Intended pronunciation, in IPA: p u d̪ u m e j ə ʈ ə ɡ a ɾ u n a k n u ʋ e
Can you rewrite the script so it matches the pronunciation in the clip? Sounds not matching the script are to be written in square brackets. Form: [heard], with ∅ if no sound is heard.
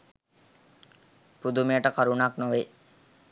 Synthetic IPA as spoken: p u d̪ u m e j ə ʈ ə [k] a ɾ u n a k n [o] ʋ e